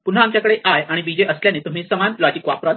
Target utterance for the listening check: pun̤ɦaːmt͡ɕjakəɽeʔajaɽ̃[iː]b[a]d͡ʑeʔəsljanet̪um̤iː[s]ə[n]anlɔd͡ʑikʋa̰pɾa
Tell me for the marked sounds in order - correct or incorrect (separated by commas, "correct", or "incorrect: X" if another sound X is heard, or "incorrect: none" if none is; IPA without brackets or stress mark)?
incorrect: i, incorrect: i, correct, incorrect: m